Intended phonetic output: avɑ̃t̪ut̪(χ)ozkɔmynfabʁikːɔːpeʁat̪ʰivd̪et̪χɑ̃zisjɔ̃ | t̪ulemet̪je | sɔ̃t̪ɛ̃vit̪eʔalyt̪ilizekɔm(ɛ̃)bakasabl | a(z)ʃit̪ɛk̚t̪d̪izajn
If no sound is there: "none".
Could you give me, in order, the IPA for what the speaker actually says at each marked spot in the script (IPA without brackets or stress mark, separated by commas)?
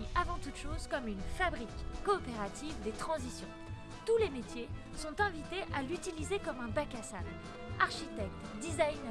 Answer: ʃ, ɛ̃, ʁ